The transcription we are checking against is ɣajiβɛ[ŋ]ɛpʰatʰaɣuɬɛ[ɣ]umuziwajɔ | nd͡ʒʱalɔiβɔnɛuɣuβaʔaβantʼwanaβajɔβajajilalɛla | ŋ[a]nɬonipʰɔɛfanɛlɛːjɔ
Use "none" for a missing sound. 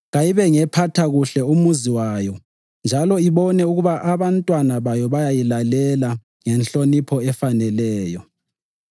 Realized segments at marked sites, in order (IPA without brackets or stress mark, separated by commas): ŋ, none, ɛ